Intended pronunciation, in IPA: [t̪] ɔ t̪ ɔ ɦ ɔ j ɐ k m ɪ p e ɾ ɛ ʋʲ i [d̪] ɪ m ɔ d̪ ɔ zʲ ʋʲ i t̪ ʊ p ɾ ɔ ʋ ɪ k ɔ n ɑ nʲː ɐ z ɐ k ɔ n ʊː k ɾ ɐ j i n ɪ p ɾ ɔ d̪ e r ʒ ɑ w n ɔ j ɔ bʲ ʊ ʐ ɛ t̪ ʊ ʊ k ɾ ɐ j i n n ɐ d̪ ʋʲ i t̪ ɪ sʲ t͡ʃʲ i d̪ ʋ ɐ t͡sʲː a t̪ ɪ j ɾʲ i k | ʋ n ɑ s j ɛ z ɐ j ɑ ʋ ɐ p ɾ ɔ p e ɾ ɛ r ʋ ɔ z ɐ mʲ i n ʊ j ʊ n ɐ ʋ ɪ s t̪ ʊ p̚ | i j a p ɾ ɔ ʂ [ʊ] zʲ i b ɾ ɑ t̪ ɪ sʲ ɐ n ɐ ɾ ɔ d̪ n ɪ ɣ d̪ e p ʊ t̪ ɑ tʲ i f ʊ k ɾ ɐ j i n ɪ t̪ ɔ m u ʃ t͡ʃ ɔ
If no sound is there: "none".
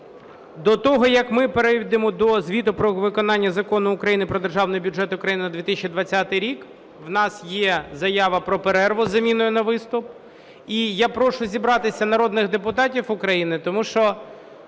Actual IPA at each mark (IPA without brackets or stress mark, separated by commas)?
d̪, d̪, ʊ